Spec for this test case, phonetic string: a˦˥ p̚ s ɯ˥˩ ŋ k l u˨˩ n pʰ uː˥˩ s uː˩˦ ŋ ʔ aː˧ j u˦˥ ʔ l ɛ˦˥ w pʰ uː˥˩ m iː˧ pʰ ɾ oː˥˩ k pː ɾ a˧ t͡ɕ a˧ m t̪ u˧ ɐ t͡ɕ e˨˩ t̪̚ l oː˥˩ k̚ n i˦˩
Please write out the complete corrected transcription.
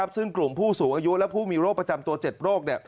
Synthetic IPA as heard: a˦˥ p̚ s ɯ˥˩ ŋ k l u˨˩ m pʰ uː˥˩ s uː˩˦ ŋ ʔ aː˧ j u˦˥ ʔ l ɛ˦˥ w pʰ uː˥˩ m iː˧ ɾ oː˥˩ k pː ɾ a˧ t͡ɕ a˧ m t̪ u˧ ɐ t͡ɕ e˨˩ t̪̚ ɾ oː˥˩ k̚ n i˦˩